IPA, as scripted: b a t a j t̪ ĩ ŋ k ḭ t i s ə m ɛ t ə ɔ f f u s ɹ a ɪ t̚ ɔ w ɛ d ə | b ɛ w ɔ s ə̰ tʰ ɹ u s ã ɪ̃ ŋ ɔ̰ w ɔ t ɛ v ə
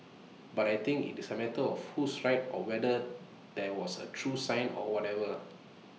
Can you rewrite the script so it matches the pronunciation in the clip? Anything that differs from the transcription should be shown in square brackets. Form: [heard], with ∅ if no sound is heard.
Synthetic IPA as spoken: b a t a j t̪ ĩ ŋ k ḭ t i s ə m ɛ t ə ɔ f [h] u s ɹ a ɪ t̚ ɔ w ɛ d ə | [d] ɛ w ɔ s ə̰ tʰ ɹ u s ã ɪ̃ [n] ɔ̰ w ɔ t ɛ v ə